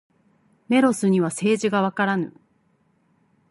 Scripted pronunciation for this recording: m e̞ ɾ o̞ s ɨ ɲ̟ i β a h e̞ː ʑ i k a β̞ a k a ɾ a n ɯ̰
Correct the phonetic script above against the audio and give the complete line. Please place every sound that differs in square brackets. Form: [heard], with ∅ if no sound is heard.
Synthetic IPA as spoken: m e̞ ɾ o̞ s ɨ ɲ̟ i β a [s] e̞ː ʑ i [ɡ] a β̞ a k a ɾ a n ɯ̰